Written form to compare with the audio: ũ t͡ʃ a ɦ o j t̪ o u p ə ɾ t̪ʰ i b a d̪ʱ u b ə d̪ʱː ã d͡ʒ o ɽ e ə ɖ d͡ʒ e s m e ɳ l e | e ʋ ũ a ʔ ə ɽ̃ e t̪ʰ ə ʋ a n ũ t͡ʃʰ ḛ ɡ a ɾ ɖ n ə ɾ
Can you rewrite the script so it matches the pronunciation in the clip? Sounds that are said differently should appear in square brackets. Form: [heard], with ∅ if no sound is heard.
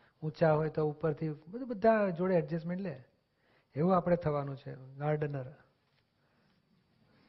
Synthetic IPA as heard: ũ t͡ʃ a ɦ o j t̪ o u p ə ɾ t̪ʰ i b [ə] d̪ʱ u b ə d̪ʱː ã d͡ʒ o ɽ e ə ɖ d͡ʒ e s m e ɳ l e | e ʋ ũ a [p] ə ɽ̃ e t̪ʰ ə ʋ a n ũ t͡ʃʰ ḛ ɡ a ɾ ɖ n ə ɾ